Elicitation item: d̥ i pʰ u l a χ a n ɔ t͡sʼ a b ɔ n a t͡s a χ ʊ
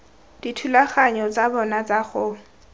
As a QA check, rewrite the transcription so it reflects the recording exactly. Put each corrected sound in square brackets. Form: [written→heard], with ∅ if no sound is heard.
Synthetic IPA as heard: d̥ i [pʰ→tʰ] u l a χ a [n→ɲ] ɔ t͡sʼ a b ɔ n a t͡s a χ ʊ